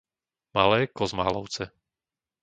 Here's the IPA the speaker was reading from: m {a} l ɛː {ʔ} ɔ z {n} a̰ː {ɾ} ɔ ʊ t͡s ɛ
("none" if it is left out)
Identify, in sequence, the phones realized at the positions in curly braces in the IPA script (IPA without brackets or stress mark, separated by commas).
a, k, m, l